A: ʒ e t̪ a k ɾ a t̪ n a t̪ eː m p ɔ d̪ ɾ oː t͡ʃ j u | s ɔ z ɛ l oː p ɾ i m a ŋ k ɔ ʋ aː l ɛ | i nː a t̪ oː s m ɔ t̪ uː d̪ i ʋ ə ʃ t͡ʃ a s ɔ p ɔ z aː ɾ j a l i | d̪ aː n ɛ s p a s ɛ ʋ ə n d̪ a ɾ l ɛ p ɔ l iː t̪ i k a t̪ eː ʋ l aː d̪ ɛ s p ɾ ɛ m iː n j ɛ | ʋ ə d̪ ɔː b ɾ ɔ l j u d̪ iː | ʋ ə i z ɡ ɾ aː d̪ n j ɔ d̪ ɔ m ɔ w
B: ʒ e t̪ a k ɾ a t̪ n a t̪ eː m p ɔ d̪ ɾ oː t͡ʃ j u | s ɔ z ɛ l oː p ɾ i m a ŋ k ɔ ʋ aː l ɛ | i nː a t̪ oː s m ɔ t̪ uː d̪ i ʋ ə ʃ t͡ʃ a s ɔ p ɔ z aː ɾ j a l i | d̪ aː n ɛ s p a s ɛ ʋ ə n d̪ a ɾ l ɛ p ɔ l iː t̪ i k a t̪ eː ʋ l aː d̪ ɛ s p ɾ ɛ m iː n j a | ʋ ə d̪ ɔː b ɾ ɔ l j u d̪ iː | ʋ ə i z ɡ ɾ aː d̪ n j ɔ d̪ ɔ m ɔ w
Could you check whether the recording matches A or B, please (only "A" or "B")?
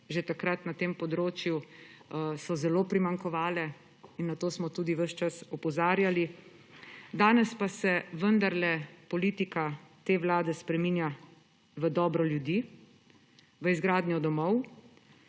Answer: B